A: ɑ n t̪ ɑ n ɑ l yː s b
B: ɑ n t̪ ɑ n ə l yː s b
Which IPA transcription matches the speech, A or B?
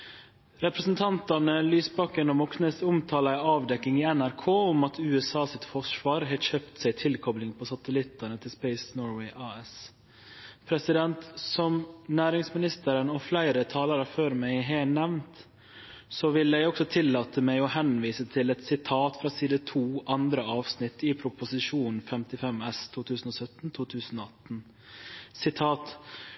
B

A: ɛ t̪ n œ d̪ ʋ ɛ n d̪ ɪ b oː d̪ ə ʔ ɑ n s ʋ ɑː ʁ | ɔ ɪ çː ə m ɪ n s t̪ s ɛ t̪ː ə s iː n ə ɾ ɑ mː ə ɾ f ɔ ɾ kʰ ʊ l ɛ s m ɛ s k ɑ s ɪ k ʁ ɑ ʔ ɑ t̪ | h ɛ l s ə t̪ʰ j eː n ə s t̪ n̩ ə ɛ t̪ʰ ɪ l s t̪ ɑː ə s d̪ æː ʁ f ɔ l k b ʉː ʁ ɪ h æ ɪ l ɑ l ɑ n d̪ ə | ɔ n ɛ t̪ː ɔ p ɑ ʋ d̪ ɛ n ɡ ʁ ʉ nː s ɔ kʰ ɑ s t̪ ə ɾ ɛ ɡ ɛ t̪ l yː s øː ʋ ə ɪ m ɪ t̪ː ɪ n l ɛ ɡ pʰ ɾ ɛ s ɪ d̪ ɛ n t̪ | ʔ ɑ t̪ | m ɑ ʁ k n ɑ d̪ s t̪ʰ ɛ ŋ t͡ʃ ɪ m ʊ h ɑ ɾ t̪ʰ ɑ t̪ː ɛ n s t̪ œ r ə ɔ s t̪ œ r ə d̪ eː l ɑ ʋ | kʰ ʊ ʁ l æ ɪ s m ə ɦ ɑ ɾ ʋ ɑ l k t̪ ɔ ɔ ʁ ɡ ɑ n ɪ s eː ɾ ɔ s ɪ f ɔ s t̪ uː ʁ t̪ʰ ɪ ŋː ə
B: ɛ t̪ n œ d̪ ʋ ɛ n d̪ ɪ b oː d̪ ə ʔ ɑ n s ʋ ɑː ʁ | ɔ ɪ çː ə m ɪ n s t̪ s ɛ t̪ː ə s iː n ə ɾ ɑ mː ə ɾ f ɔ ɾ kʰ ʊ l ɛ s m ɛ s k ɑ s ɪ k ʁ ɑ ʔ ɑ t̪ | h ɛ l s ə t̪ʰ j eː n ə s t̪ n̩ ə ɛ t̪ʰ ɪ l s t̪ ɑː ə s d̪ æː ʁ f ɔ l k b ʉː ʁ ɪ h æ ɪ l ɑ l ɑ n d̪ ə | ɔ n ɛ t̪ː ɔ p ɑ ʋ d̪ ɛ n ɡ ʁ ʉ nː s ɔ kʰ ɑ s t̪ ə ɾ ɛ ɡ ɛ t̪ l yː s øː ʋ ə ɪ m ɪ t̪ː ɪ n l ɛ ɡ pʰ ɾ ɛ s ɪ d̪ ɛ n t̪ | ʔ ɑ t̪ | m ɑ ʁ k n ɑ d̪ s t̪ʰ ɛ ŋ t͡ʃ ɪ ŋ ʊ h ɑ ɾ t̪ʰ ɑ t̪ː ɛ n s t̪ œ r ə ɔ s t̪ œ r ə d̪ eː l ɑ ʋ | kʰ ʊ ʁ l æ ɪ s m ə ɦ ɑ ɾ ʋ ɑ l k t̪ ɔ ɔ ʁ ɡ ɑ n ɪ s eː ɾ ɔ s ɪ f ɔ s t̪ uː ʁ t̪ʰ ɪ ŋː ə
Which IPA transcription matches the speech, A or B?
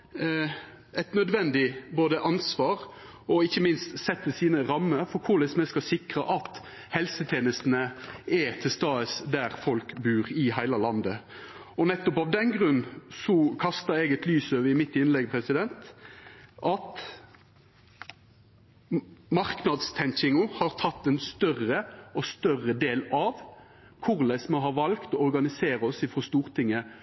B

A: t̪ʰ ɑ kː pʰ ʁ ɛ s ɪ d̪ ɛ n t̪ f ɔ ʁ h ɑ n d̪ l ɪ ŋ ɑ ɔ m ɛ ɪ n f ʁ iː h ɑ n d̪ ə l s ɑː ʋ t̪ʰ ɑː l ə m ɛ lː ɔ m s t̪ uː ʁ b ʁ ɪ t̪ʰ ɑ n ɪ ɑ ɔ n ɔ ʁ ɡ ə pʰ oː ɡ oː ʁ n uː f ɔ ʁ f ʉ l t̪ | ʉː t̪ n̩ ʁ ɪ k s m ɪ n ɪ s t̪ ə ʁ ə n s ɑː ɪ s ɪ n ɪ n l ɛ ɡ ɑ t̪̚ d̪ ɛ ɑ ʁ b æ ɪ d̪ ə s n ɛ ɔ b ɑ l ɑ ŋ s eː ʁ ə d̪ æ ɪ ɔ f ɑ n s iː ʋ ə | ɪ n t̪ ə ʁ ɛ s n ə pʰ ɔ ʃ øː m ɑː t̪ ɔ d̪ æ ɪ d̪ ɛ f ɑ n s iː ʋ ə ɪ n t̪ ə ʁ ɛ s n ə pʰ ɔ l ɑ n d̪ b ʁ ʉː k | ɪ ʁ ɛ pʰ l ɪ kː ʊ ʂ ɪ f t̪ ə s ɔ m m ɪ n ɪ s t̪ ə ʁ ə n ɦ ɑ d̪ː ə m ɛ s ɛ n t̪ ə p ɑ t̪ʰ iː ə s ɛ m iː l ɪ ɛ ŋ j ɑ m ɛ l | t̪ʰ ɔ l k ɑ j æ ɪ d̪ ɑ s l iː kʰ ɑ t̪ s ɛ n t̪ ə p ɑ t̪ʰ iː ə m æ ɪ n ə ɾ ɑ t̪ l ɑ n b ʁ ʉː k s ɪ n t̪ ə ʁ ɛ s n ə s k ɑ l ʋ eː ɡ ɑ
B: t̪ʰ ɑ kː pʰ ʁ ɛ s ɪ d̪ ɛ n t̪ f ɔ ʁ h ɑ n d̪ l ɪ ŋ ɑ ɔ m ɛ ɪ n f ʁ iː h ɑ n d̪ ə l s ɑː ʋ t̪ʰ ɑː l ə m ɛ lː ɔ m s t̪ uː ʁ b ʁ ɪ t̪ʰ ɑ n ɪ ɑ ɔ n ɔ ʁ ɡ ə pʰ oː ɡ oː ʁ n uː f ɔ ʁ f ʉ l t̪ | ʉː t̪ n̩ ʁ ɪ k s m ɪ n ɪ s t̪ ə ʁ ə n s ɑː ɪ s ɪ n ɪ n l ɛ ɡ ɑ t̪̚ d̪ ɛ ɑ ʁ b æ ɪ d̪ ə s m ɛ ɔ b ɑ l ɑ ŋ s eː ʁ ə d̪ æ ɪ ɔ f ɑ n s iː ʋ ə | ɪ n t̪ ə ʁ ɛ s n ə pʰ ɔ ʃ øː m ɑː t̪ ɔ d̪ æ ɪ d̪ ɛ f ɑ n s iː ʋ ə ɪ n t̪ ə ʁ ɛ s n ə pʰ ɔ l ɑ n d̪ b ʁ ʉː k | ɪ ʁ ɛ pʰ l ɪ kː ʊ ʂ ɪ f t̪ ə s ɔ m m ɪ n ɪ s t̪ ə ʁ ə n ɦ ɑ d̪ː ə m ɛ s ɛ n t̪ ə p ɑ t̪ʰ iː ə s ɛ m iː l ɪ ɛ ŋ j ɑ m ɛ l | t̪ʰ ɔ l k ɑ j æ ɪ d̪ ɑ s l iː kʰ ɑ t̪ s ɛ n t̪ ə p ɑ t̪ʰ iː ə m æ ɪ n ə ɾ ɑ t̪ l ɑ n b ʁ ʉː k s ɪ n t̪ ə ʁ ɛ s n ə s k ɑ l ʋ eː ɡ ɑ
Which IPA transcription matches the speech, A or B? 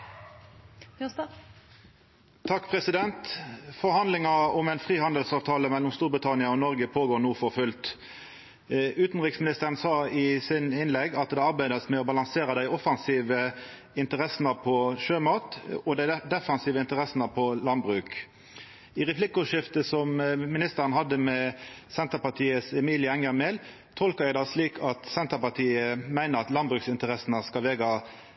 B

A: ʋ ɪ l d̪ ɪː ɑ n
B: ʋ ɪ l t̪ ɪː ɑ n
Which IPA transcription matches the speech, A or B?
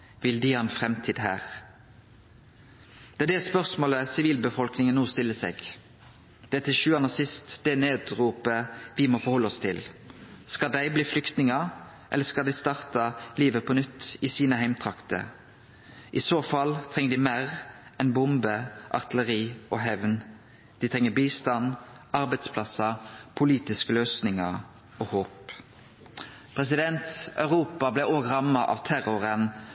A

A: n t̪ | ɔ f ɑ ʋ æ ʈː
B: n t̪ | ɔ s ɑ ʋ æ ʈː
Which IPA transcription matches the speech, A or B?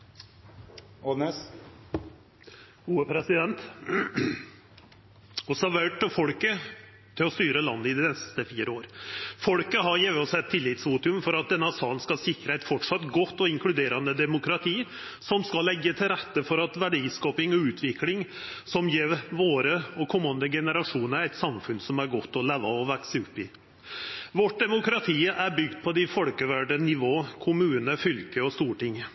B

